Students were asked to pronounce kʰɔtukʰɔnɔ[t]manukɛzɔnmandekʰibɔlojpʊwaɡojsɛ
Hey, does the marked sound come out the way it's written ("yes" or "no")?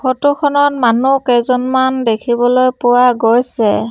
yes